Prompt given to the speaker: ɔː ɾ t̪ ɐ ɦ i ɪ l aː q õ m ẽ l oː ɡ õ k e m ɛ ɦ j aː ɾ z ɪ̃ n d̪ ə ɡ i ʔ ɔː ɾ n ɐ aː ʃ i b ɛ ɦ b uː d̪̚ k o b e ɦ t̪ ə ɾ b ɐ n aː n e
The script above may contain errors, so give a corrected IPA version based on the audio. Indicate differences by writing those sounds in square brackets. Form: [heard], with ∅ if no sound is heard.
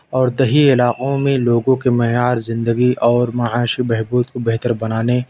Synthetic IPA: ɔː ɾ [d̪] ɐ ɦ i ɪ l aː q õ m ẽ l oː ɡ õ k e m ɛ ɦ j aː ɾ z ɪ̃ n d̪ ə ɡ i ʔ ɔː ɾ [m] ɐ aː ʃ i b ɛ ɦ b uː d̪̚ k o b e ɦ t̪ ə ɾ b ɐ n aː n e